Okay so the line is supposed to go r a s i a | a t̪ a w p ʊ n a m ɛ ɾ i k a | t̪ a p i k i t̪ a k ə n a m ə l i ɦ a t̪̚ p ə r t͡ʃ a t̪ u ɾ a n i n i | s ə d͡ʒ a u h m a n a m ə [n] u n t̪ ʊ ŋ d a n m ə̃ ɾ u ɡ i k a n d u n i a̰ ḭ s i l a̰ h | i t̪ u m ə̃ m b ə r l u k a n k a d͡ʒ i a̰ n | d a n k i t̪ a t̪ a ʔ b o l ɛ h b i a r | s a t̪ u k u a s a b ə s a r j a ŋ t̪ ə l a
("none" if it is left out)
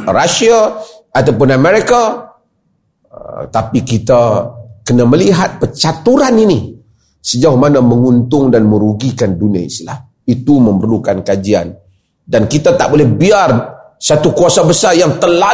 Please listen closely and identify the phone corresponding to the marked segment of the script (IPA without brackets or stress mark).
ŋ